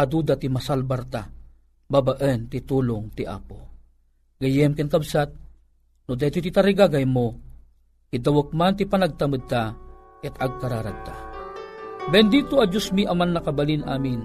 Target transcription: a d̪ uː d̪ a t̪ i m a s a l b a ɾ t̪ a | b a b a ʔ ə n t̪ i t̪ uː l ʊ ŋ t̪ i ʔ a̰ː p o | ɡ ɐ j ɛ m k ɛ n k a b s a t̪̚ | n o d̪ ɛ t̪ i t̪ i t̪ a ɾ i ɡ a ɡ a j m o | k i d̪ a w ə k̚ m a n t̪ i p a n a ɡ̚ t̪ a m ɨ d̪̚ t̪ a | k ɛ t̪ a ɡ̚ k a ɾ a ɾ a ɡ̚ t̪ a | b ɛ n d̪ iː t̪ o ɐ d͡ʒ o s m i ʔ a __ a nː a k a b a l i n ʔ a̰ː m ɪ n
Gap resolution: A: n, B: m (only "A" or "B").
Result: B